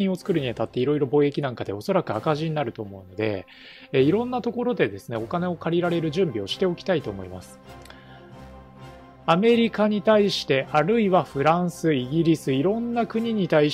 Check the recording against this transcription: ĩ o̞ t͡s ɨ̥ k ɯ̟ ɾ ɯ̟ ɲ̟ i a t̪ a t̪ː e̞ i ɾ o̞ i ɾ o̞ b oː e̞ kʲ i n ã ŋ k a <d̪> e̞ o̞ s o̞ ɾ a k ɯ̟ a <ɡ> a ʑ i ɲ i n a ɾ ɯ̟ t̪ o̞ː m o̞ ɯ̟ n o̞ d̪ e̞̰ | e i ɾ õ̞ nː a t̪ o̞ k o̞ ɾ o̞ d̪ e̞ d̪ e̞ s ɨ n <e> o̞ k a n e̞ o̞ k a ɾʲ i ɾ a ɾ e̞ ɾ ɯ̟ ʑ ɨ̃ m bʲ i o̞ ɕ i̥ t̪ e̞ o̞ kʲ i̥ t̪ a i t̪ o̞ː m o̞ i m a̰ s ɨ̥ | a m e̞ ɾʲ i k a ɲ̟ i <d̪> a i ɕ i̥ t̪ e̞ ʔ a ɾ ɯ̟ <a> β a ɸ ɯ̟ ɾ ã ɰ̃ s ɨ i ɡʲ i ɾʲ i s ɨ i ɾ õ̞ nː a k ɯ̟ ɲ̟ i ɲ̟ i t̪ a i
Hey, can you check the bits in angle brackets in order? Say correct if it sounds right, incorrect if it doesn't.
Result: correct, incorrect, correct, incorrect, incorrect

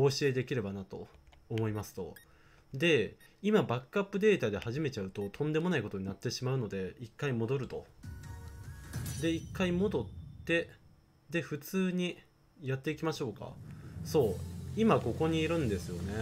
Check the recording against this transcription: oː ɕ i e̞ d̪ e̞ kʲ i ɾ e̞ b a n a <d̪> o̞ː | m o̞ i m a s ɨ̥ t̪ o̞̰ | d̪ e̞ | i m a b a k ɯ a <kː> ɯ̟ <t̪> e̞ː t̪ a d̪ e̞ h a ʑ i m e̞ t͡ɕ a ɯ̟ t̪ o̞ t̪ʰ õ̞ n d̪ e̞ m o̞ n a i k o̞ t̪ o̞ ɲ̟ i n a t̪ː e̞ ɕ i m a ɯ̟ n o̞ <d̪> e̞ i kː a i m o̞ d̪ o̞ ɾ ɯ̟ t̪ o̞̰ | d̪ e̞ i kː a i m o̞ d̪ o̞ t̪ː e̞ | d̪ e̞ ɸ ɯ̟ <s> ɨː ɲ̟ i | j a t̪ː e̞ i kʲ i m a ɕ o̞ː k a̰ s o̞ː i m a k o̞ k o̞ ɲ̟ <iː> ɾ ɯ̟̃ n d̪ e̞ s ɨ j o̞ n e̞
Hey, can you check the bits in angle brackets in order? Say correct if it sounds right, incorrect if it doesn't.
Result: incorrect, incorrect, incorrect, correct, incorrect, correct

